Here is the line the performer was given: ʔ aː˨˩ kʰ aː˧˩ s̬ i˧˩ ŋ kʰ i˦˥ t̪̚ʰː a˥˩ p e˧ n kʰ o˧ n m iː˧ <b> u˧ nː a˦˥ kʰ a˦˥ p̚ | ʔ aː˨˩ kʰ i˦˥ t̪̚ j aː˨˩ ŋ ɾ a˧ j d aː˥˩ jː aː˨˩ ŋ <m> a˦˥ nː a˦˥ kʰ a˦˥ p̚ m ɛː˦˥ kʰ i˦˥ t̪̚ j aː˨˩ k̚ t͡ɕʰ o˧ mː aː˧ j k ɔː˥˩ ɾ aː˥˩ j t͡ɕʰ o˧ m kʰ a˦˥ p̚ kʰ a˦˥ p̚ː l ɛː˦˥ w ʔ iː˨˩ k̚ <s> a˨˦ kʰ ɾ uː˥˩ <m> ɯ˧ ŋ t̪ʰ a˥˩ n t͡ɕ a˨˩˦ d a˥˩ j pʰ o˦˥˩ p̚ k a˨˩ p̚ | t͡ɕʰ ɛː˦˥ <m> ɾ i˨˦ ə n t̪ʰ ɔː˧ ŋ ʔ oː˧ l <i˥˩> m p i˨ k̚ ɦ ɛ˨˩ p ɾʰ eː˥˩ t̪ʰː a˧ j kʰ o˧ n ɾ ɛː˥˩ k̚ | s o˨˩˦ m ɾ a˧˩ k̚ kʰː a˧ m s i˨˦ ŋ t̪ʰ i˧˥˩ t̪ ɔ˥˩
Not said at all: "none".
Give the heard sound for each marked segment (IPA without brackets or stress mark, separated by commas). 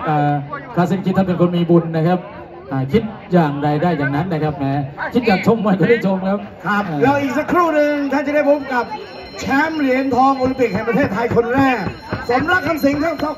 b, n, s, n, m, i˧